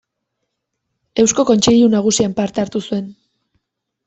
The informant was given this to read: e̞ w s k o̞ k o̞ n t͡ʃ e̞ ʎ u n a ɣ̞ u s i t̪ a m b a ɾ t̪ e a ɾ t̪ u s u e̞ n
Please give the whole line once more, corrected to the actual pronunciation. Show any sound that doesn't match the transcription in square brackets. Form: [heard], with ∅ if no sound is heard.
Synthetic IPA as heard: e̞ w s k o̞ k o̞ n t͡ʃ e̞ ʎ u n a ɣ̞ u s i [∅] a m [p] a ɾ t̪ e a ɾ t̪ u s u e̞ n